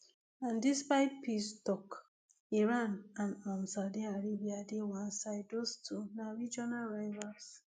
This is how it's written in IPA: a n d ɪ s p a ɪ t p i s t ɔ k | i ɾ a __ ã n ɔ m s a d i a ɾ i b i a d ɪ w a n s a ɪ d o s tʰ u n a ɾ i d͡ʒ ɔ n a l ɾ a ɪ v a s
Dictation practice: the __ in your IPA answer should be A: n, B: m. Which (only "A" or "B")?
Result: A